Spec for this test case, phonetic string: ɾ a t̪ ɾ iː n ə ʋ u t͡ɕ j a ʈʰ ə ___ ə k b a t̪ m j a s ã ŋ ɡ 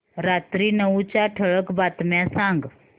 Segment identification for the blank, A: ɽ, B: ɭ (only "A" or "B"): B